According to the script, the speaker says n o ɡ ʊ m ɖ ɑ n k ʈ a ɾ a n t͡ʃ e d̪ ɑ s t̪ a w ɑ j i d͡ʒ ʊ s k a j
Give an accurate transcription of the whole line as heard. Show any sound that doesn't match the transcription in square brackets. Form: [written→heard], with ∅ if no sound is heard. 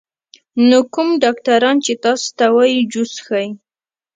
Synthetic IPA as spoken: n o [ɡ→k] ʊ m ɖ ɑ [n→∅] k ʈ a ɾ [a→ɑ] n t͡ʃ e [d̪→t̪] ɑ s t̪ a w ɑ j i d͡ʒ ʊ s [k→x] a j